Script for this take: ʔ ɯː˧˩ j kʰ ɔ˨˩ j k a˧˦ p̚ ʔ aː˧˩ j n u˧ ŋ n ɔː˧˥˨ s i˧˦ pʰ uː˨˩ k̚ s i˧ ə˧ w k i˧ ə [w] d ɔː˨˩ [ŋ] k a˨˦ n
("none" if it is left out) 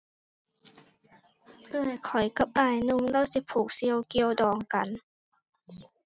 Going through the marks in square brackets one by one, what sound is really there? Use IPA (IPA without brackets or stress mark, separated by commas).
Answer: w, ŋ